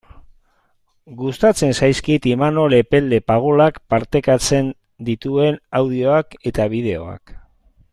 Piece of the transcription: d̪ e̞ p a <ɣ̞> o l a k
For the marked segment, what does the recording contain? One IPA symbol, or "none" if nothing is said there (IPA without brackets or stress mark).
ɣ̞